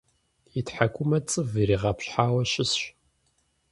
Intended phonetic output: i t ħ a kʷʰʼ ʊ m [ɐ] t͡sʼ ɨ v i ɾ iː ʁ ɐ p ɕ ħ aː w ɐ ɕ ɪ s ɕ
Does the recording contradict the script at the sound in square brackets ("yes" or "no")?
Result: no